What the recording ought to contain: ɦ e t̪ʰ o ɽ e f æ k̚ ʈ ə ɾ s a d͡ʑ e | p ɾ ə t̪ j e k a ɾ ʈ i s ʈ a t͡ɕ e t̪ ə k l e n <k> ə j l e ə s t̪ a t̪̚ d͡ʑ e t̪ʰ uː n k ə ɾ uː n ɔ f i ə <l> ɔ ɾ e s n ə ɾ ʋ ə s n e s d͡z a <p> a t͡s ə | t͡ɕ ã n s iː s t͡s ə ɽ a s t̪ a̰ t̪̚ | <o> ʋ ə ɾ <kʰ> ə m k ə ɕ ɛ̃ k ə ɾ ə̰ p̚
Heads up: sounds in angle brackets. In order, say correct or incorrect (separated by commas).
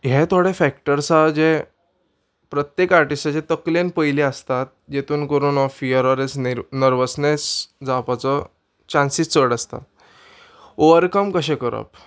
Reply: incorrect, incorrect, correct, correct, incorrect